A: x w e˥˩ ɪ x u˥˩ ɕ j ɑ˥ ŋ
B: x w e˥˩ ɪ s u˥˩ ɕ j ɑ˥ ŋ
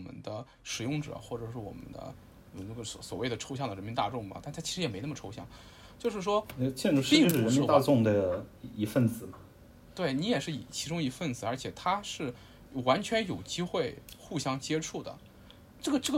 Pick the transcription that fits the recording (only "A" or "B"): A